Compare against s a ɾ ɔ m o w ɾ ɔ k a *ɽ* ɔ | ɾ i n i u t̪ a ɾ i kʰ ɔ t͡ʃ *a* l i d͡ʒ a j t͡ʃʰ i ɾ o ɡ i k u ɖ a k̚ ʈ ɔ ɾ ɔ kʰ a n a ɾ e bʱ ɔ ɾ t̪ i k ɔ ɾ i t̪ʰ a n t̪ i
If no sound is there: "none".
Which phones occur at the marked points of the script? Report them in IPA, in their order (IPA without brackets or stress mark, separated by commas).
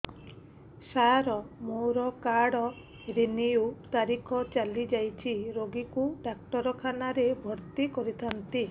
ɽ, a